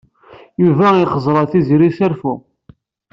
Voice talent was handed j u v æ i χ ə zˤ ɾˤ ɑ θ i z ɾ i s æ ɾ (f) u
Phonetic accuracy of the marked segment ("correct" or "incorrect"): correct